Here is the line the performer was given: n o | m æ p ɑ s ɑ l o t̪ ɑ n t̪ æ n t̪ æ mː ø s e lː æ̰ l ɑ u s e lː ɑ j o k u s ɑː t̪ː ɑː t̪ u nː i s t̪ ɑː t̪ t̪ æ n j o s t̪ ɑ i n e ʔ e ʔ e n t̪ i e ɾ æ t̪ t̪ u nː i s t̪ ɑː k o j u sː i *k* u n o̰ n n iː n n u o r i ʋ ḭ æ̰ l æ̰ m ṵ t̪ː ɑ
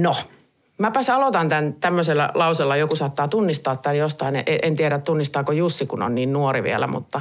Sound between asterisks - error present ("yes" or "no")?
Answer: no